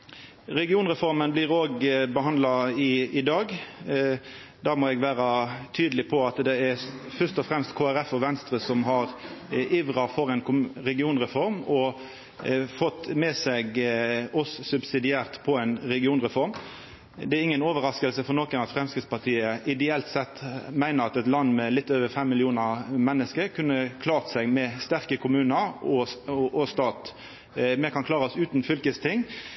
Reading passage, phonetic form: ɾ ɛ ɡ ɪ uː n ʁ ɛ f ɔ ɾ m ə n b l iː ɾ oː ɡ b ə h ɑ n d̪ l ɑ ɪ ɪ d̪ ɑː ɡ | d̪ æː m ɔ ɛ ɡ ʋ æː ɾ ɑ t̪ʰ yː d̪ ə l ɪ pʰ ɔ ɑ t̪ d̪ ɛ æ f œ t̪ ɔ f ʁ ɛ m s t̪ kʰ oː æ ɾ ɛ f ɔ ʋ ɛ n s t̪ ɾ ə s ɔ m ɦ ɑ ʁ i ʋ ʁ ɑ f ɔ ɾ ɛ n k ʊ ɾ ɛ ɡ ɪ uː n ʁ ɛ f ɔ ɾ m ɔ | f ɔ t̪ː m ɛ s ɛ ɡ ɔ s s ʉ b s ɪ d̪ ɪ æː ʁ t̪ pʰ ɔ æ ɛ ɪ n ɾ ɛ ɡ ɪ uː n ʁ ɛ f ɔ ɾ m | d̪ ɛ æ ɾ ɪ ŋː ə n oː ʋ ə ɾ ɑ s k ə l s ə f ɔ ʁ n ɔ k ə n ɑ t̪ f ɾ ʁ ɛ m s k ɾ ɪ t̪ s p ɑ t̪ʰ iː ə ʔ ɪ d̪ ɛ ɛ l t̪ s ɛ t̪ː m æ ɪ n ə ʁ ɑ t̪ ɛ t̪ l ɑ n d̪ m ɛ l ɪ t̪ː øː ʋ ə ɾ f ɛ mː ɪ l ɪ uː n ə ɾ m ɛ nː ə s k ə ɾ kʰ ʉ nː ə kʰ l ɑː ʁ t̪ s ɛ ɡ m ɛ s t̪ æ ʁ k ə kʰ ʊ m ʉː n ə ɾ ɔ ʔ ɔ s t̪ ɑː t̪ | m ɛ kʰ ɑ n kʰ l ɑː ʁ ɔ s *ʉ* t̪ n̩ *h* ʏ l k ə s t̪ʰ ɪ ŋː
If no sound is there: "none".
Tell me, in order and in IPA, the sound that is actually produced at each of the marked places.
ʉː, f

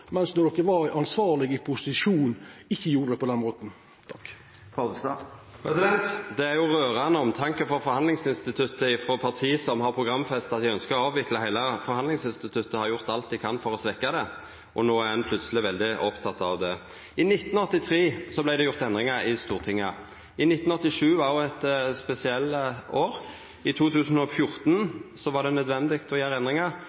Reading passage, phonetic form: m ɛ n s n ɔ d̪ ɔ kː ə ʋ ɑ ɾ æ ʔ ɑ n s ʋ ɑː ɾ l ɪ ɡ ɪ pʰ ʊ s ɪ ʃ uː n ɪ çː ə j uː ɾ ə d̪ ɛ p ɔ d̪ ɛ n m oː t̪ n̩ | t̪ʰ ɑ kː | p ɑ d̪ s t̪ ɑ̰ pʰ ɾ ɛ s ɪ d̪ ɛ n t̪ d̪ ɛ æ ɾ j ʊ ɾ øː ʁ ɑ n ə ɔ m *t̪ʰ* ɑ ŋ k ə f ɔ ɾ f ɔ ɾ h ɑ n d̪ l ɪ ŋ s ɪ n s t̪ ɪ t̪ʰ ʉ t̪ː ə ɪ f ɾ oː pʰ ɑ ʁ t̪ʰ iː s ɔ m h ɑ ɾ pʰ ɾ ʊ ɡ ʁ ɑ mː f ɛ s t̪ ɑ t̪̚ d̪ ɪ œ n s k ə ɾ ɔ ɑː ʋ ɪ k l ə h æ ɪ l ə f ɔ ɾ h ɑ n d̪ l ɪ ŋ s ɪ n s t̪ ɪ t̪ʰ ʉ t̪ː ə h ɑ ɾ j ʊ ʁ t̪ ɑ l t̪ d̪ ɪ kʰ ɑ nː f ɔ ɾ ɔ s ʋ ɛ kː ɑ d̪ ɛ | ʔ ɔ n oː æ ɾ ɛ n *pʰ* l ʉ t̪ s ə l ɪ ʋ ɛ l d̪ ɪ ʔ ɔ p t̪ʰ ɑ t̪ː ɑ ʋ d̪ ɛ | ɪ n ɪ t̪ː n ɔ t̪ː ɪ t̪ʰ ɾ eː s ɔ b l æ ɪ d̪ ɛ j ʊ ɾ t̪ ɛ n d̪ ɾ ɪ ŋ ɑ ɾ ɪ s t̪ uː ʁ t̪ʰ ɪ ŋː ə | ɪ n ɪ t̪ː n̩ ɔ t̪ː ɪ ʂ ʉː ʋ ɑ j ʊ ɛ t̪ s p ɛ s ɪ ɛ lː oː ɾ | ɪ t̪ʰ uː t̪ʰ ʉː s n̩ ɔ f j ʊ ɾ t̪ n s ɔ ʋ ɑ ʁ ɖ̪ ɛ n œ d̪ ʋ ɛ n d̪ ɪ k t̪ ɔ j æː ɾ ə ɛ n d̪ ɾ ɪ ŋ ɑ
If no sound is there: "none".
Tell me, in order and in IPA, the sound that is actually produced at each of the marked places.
t̪ʰ, pʰ

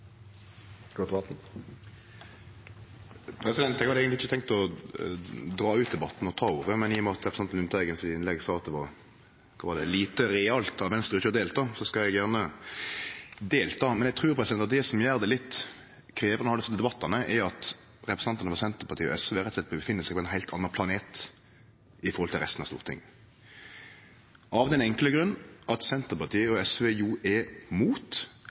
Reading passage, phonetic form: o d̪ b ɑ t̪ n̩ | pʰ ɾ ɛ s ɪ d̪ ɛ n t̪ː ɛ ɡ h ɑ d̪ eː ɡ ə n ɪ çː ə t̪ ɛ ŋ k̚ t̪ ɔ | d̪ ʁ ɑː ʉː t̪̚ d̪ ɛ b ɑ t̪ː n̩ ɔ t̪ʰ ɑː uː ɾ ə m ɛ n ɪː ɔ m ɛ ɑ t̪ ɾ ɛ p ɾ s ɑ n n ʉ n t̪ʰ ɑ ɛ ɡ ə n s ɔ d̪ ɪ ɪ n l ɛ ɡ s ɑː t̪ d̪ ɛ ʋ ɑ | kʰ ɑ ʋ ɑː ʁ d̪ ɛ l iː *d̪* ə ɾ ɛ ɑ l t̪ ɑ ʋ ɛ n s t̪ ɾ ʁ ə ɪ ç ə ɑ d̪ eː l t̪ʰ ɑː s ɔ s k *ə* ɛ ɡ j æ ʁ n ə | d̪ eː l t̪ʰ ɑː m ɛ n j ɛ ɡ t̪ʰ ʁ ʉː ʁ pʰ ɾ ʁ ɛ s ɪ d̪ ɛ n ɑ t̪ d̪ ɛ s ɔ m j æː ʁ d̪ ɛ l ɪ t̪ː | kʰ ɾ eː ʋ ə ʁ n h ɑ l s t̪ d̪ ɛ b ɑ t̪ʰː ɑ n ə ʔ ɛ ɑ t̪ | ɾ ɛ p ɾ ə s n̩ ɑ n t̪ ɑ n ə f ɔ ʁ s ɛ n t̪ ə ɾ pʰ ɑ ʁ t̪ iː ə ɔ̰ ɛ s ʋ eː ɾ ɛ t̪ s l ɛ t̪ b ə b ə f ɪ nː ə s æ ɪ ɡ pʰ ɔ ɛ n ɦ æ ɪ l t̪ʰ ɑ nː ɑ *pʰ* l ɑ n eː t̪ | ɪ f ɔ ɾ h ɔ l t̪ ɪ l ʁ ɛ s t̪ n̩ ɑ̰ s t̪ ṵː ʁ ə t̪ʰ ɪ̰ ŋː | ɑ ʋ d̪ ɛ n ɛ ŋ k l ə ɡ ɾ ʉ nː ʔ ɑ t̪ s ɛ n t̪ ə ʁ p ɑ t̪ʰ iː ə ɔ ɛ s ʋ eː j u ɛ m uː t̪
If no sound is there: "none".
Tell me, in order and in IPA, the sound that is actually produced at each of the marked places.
t̪, ɑ, pʰ

